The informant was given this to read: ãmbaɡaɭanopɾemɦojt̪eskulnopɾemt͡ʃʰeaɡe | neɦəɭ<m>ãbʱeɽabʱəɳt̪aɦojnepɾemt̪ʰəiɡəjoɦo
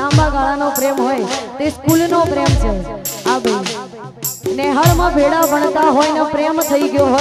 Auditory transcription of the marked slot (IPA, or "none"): m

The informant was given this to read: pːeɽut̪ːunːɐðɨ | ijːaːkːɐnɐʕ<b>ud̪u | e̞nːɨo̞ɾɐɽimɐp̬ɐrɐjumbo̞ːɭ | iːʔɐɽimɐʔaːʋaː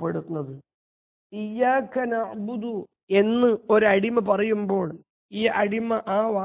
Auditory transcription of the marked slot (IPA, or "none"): b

